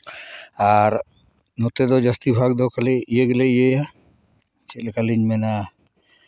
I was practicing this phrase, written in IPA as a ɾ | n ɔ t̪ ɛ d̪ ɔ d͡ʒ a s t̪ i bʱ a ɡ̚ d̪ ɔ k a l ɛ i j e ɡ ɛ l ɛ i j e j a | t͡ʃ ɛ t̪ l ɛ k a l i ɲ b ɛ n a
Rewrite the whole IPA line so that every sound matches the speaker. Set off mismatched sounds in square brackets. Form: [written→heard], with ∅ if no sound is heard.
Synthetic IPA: a ɾ | n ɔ t̪ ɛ d̪ ɔ d͡ʒ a s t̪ i bʱ a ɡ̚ d̪ ɔ k a l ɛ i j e ɡ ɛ l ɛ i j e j a | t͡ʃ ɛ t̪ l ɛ k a l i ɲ [b→m] ɛ n a